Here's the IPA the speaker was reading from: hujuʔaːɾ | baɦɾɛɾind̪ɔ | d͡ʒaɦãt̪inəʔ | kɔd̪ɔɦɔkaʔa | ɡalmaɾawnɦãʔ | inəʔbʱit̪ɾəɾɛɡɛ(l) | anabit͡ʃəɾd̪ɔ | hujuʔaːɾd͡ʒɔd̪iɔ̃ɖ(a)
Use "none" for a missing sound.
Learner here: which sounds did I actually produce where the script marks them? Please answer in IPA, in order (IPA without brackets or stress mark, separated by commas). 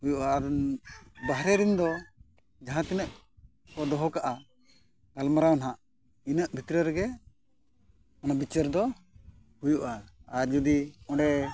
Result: none, ɛ